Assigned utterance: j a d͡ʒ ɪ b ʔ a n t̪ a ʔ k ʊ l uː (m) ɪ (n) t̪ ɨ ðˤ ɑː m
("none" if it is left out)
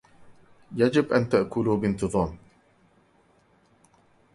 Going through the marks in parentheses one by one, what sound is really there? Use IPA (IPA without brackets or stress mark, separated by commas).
b, n